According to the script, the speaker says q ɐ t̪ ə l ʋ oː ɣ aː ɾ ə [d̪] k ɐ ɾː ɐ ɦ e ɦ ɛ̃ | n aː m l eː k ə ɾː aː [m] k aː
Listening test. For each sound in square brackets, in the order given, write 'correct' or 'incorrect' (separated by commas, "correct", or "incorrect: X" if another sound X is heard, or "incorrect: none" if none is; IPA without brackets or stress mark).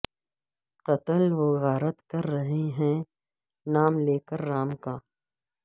incorrect: t̪, correct